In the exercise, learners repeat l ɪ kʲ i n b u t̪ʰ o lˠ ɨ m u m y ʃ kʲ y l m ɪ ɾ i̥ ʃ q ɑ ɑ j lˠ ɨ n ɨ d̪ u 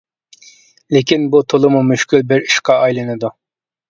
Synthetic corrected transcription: l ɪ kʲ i n b u t̪ʰ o lˠ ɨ m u m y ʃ kʲ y l b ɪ ɾ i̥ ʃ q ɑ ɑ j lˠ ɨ n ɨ d̪ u